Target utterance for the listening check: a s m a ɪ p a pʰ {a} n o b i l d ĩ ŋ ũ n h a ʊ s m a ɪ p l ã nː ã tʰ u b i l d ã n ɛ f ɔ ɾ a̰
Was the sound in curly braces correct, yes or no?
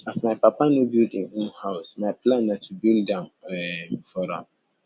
yes